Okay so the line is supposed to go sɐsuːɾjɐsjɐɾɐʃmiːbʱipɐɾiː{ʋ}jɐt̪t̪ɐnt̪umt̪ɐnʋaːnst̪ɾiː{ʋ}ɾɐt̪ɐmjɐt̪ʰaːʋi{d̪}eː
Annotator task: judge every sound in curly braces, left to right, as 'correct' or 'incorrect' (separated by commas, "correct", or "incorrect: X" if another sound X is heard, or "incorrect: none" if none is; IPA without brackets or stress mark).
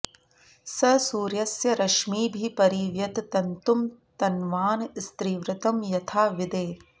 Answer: correct, correct, correct